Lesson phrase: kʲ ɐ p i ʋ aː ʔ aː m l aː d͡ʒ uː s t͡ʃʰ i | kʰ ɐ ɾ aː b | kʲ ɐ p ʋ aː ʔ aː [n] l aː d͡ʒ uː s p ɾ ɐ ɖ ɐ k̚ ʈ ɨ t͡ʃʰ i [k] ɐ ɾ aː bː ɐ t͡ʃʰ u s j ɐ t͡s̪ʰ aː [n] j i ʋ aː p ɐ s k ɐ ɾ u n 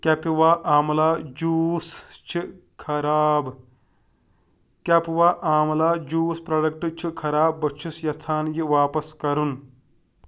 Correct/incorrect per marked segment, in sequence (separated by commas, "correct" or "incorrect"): incorrect, incorrect, correct